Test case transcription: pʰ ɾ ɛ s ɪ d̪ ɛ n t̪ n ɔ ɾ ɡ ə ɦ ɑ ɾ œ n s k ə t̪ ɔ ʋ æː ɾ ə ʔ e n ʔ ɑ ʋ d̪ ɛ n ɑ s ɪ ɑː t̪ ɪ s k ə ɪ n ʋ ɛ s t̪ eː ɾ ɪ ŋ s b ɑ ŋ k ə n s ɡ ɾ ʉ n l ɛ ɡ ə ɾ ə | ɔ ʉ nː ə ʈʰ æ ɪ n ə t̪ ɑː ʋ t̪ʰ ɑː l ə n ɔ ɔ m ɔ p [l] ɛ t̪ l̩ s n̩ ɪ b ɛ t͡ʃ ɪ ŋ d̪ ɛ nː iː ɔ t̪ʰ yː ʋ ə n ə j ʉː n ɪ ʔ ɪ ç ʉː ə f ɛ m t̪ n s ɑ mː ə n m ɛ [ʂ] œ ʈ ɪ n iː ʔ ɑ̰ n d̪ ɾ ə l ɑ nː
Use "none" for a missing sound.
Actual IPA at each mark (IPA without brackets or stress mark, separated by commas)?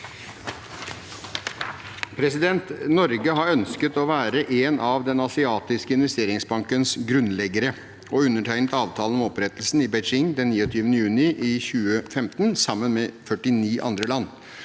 ɾ, f